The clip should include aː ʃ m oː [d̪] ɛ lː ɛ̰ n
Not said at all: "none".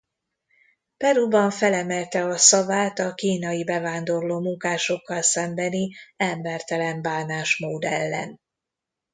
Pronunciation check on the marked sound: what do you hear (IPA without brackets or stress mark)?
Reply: d̪